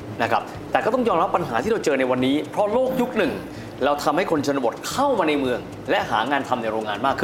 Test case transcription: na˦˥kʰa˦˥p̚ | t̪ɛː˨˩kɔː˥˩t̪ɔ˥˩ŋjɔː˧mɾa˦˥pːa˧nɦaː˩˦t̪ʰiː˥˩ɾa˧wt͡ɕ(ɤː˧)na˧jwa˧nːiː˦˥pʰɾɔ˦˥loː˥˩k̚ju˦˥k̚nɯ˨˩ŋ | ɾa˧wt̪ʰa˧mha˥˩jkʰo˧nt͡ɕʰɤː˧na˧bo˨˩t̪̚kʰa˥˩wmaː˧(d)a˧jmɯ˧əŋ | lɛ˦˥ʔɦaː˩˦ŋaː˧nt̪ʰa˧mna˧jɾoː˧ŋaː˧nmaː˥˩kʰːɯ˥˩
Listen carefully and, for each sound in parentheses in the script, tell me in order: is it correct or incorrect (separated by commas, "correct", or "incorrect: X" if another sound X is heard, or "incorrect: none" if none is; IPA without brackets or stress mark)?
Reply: correct, incorrect: n